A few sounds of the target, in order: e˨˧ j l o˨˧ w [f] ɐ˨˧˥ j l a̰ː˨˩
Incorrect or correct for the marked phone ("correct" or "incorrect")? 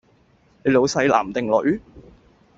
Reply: incorrect